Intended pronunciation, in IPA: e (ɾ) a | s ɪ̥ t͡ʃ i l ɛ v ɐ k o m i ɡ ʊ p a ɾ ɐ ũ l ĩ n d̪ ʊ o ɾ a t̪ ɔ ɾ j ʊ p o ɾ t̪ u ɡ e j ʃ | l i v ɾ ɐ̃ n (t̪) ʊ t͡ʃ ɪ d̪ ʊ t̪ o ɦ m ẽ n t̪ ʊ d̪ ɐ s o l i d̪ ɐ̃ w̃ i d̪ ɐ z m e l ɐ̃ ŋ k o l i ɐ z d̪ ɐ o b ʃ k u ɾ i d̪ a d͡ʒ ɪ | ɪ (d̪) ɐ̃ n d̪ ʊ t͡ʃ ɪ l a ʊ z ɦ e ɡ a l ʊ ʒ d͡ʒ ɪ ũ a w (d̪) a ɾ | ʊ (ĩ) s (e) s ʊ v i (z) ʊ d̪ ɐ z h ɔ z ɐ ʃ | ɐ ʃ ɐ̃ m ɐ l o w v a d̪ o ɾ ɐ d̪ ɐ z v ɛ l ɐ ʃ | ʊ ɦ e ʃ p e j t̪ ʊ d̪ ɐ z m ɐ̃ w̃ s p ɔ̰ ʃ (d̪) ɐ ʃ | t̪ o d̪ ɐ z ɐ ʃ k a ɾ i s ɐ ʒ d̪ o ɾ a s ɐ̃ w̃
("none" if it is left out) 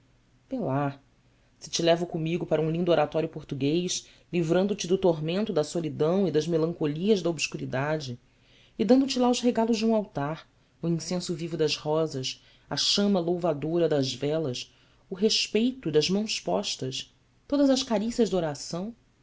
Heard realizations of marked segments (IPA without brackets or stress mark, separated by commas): l, d̪, d̪, t̪, ĩ, ẽ, v, t̪